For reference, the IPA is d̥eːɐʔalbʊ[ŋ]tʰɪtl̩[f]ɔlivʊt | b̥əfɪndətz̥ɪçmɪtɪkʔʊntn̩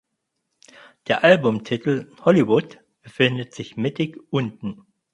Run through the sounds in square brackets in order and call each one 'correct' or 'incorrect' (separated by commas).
incorrect, incorrect